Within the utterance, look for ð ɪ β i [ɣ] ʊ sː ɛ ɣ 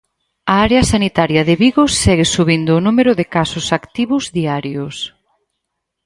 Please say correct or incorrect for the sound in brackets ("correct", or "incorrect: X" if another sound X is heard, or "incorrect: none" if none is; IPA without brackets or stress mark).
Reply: correct